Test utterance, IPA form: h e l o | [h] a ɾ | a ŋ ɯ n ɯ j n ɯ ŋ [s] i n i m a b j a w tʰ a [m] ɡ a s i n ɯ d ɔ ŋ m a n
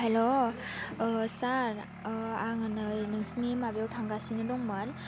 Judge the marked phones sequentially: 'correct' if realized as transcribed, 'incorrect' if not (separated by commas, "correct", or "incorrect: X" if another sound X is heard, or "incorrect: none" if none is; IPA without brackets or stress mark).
incorrect: s, correct, incorrect: ŋ